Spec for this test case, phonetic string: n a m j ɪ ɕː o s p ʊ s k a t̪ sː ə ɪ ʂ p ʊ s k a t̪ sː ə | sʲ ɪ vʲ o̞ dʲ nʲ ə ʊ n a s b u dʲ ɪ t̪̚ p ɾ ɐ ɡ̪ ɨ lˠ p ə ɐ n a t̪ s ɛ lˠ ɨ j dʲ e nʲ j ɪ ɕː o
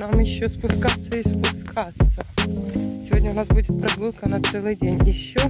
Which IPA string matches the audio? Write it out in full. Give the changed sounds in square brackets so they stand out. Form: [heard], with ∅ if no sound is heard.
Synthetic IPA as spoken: n a m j ɪ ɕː o s p ʊ s k a t̪ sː ə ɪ [s] p ʊ s k a t̪ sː ə | sʲ ɪ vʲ o̞ dʲ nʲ ə ʊ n a s b u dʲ ɪ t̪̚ p ɾ ɐ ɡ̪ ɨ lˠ [k] ə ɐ n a t̪ s ɛ lˠ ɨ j dʲ e nʲ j ɪ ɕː o